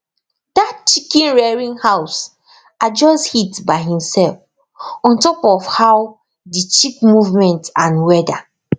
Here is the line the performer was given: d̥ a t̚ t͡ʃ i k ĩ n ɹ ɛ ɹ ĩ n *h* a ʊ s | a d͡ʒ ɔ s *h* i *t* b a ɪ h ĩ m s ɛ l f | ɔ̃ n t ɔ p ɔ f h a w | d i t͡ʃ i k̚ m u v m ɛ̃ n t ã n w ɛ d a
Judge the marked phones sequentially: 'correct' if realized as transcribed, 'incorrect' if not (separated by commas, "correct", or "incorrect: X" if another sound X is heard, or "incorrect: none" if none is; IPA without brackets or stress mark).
correct, correct, correct